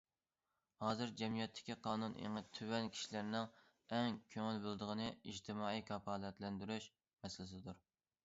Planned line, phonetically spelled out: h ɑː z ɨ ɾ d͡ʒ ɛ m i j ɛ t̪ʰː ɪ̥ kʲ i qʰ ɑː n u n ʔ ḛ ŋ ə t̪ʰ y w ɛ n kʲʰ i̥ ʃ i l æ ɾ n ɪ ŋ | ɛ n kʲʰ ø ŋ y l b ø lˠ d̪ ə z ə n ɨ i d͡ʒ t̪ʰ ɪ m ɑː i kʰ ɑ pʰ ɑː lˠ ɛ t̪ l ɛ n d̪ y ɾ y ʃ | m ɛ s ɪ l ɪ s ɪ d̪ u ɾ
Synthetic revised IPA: h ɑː z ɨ ɾ d͡ʒ ɛ m i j ɛ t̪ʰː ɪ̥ kʲ i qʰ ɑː n u n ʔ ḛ ŋ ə t̪ʰ y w ɛ n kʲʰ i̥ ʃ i l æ ɾ n ɪ ŋ | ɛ ŋ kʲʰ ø ŋ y l b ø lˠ d̪ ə ʁ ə n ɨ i d͡ʒ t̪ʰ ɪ m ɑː i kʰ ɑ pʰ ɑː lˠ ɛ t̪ l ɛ n d̪ y ɾ y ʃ | m ɛ s ɪ l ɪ s ɪ d̪ u ɾ